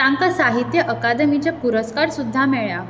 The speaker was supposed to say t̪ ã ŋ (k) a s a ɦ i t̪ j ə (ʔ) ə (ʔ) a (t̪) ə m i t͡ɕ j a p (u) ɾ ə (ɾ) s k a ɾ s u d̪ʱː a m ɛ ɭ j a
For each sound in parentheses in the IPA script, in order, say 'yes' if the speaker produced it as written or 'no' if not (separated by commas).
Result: yes, yes, no, no, yes, no